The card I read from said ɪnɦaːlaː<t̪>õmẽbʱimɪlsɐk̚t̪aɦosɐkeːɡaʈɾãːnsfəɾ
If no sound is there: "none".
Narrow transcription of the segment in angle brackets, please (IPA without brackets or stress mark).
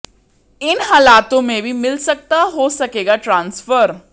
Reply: t̪